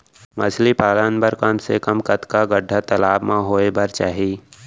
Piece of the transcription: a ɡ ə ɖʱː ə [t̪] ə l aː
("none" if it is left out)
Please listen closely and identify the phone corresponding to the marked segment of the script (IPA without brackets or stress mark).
t̪